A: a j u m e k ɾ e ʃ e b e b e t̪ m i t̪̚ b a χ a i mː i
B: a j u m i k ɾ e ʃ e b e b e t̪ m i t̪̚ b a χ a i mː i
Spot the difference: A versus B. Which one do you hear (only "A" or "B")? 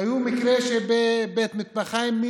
B